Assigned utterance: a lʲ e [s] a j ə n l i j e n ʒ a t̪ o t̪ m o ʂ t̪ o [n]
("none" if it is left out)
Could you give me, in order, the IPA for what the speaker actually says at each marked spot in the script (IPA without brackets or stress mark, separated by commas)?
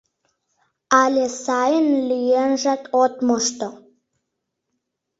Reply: s, none